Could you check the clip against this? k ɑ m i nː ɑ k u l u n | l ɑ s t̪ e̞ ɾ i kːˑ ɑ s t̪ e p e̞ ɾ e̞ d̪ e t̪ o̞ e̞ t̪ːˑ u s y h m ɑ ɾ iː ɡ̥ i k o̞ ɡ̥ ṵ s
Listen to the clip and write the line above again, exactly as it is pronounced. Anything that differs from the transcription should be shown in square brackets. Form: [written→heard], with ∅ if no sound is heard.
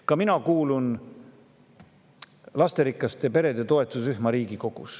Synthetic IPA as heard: k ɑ m i [nː→n] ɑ k [u→uː] l u n | l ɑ s t̪ e̞ ɾ i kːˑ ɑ s t̪ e p e̞ ɾ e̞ d̪ e t̪ o̞ e̞ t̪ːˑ u s y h m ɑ ɾ iː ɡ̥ i k o̞ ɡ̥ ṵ s

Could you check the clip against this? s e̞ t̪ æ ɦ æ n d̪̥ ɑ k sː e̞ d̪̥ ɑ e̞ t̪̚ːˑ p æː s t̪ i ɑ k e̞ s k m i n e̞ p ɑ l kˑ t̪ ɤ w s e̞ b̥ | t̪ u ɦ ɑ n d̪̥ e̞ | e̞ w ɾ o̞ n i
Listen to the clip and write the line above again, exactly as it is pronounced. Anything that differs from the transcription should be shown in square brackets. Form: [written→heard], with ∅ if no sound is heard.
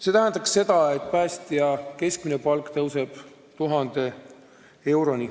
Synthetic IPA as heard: s e̞ t̪ æ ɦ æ n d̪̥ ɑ k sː e̞ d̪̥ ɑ e̞ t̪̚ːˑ p æː s t̪ i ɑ k e̞ s k m i n e̞ p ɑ l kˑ t̪ ɤ w s e̞ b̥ | t̪ u ɦ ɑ n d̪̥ e̞ | e̞ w ɾ o̞ n i

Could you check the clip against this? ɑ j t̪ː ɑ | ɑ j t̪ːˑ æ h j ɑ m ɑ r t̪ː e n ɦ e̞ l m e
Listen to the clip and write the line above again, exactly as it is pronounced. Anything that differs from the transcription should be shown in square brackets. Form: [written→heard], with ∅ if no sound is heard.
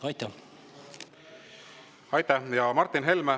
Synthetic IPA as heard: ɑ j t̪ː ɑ | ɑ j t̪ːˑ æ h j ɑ m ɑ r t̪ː [e→i] n ɦ e̞ l m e

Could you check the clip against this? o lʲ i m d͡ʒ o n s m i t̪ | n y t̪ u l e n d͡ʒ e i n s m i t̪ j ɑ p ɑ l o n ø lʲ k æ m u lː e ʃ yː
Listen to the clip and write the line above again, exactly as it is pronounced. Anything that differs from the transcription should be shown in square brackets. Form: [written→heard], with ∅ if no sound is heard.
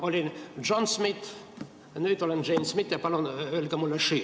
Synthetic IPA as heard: o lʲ i [m→n] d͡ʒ o n s m i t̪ | n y t̪ [u→o] l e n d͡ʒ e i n s m i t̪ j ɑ p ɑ l o n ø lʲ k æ m u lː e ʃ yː

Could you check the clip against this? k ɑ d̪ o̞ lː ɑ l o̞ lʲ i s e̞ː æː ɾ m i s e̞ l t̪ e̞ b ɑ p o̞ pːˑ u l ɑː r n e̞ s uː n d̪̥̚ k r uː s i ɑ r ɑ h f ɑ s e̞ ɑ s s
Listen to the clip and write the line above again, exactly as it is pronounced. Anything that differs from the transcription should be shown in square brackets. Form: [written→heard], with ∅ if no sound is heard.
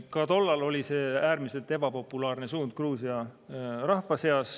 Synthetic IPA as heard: k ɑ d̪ o̞ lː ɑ l o̞ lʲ i s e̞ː æː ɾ m i s e̞ l t̪ e̞ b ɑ p o̞ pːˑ u l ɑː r n e̞ s uː n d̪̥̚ k r uː s i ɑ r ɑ h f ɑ s e̞ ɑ s s

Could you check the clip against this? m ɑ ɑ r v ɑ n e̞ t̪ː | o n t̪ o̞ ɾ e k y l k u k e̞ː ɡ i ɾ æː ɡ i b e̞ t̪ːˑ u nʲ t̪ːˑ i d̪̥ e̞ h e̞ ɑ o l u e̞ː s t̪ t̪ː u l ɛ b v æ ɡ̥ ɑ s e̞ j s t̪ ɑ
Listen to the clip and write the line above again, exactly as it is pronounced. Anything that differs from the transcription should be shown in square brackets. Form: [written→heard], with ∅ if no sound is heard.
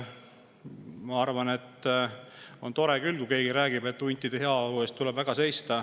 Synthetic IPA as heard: m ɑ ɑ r v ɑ n e̞ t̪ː | o n t̪ o̞ ɾ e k y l k u k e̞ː ɡ i ɾ æː ɡ i b e̞ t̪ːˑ u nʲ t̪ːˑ i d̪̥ e̞ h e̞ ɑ o l u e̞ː s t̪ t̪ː u l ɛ b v æ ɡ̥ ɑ s e̞ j s t̪ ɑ

